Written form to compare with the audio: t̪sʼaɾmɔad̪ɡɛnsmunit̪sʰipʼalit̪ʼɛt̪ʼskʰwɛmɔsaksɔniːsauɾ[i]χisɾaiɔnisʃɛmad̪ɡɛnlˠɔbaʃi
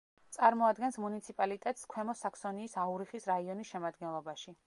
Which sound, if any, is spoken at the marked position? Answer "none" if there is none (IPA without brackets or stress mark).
i